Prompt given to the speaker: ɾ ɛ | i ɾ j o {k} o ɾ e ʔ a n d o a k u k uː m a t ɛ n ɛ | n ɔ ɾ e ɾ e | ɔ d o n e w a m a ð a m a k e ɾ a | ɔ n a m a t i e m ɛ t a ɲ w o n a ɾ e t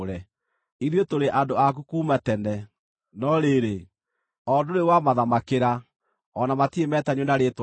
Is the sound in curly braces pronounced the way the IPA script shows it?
no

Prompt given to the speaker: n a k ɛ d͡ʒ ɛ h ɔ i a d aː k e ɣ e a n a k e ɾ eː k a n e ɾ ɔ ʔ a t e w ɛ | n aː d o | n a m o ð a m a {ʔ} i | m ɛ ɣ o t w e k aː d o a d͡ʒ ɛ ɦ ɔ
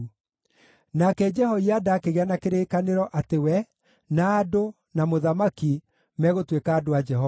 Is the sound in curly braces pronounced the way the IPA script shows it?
no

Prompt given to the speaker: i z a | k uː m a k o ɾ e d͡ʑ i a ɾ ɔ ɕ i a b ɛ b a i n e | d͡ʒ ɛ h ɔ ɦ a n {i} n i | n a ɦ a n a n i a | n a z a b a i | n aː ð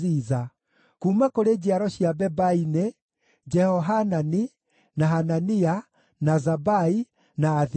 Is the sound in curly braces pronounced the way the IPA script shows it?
no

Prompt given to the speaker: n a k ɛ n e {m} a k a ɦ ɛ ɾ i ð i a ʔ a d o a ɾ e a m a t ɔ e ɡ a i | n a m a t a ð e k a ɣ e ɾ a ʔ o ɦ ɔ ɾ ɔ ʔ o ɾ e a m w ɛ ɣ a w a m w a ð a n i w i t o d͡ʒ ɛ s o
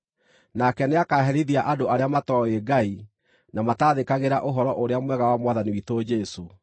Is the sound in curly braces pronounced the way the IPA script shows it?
no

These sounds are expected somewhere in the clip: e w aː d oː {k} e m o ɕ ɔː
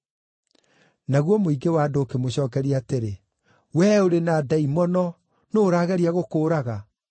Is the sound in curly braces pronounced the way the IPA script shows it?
yes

